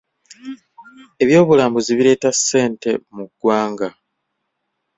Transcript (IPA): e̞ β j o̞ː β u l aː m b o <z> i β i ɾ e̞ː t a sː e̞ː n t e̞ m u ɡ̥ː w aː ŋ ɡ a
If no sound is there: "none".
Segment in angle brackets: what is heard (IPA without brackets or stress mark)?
z